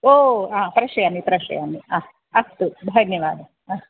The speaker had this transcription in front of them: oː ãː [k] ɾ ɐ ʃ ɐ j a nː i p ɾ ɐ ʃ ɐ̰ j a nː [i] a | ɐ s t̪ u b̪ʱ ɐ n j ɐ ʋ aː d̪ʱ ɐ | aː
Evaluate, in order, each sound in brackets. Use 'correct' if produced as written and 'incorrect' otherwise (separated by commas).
incorrect, correct